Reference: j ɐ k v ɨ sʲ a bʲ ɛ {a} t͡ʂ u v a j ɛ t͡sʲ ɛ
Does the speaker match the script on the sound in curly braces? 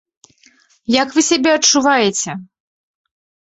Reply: no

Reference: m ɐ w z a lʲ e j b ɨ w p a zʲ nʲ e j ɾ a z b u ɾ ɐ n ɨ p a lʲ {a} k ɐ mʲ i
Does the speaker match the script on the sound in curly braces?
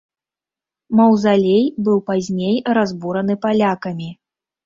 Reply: yes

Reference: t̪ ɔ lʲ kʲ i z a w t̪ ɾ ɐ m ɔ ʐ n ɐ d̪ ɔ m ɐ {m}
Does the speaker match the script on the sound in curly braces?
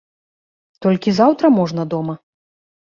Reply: no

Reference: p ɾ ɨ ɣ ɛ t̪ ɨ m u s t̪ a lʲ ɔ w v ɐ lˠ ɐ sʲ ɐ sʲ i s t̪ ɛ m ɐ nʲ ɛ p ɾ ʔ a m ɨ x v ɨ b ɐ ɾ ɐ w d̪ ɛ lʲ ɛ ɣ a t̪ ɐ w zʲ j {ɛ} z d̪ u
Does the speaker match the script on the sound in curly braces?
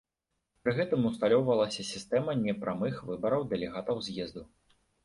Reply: yes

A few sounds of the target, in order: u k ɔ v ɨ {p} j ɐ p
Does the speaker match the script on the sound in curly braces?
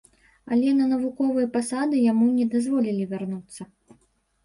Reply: no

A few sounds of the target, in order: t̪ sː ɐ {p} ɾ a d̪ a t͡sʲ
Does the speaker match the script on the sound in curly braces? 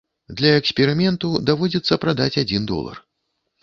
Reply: yes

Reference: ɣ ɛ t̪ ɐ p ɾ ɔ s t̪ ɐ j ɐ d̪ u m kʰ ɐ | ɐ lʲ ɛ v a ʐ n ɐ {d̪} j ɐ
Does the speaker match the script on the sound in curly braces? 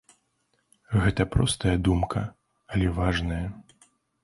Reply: no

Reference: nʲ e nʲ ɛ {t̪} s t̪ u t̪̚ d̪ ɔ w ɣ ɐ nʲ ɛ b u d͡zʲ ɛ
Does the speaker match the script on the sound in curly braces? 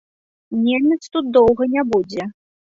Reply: yes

